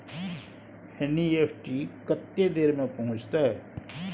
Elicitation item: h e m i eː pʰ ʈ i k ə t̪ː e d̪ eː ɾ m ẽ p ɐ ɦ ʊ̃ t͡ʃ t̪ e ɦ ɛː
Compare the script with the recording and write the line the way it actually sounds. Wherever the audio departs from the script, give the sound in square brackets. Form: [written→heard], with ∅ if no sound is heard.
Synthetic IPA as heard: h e [m→n] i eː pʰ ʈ i k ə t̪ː e d̪ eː ɾ m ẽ p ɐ ɦ ʊ̃ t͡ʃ t̪ [e→a] ɦ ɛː